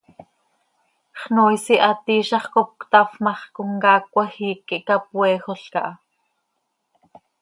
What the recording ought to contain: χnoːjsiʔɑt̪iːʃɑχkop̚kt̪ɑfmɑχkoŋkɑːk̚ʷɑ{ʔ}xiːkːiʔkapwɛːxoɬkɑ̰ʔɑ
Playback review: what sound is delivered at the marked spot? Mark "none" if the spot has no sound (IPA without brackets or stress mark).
none